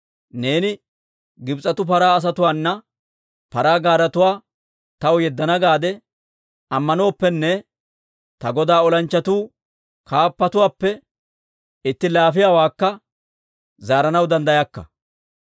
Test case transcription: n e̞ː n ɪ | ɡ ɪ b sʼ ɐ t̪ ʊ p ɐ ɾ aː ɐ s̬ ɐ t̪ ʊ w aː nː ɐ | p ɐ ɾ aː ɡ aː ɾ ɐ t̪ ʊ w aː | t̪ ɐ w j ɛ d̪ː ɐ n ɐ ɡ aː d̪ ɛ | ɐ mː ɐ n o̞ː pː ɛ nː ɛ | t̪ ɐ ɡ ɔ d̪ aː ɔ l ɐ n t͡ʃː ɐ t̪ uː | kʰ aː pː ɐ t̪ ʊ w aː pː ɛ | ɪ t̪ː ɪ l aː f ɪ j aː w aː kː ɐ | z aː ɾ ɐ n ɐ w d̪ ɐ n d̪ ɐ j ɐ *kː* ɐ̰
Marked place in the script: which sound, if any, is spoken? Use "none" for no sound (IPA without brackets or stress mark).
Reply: kː